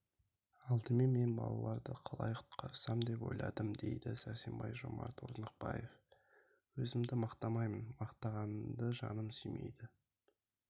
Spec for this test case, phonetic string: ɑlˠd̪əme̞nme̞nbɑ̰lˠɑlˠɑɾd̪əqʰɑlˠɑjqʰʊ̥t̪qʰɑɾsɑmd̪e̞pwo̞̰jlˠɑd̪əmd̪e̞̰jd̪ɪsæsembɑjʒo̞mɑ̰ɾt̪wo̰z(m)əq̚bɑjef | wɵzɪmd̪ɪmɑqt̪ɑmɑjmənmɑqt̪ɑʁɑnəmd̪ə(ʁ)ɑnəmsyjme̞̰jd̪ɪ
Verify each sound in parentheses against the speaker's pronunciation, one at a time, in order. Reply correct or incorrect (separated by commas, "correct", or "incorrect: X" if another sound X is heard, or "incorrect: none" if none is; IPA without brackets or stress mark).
incorrect: n, incorrect: ʒ